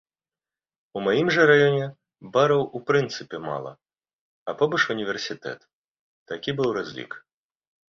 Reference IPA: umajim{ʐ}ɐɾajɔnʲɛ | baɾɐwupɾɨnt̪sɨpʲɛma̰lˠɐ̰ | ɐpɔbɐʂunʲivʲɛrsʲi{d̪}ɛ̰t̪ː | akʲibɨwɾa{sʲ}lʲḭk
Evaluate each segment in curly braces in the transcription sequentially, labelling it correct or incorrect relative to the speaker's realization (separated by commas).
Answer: correct, incorrect, incorrect